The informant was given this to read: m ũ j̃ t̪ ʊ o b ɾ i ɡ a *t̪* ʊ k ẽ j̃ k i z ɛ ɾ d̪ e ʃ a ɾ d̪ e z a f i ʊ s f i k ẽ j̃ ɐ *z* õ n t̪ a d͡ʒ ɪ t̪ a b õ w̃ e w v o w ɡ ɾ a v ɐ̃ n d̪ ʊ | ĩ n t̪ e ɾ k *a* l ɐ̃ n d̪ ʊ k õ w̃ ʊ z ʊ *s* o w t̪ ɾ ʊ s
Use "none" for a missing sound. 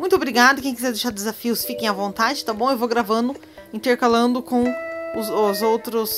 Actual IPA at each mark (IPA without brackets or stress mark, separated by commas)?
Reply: d̪, v, a, z